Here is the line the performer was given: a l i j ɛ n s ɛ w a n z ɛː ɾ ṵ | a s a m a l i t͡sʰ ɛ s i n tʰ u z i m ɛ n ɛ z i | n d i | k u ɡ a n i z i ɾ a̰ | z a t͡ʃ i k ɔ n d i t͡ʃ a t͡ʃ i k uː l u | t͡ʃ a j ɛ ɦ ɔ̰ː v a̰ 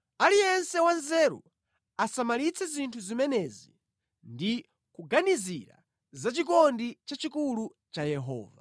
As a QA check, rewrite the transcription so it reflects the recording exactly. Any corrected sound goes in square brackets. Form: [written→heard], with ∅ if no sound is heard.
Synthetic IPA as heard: a l i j ɛ n s ɛ w a n z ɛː ɾ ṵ | a s a m a l i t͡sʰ ɛ [s→z] i n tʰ u z i m ɛ n ɛ z i | n d i | k u ɡ a n i z i ɾ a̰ | z a t͡ʃ i k ɔ n d i t͡ʃ a t͡ʃ i k [uː→u] l u | t͡ʃ a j ɛ ɦ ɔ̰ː v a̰